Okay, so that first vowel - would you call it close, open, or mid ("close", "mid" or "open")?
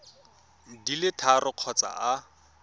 close